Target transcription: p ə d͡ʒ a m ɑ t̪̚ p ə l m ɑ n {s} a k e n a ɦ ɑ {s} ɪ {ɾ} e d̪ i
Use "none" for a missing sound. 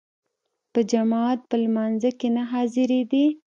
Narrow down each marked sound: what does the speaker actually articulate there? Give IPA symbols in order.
z, z, ɾ

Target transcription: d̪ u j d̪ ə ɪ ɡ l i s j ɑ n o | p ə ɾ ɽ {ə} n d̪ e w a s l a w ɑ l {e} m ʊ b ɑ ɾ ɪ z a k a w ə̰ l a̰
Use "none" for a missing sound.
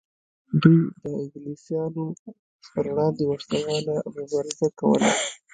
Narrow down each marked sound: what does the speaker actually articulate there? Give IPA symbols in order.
ɑ, a

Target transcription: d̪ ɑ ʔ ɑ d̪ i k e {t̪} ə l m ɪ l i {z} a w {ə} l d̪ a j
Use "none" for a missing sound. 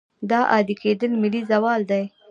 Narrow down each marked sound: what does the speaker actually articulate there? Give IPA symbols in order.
d̪, z, ɑ

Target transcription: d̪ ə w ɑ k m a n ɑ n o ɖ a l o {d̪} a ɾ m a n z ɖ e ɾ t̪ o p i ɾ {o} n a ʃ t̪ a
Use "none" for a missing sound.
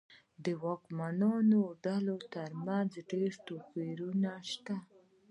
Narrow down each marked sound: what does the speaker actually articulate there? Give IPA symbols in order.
t̪, u

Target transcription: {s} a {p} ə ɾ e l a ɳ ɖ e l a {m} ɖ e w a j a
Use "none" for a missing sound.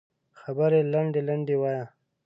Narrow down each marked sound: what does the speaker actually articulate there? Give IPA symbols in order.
x, b, ɳ

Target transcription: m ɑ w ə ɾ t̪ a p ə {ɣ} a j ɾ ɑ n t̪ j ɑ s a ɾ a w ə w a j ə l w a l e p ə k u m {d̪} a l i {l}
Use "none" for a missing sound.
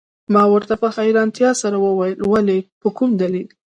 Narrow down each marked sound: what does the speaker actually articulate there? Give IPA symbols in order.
x, d̪, l

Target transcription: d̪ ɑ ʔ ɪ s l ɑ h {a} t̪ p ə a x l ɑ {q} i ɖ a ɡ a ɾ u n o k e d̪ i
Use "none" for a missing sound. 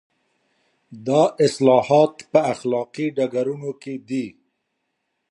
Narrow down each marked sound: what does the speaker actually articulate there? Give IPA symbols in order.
ɑ, q

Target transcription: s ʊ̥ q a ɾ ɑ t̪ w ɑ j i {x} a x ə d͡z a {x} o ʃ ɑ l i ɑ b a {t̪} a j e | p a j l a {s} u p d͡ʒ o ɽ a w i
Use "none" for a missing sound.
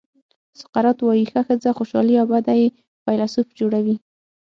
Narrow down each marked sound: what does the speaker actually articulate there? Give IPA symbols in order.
x, x, d̪, s

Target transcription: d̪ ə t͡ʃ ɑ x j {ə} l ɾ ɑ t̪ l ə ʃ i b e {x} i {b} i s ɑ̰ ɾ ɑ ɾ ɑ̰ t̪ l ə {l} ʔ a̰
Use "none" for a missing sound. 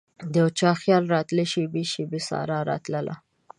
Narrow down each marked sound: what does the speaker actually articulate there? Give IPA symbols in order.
ɑ, ʃ, b, l

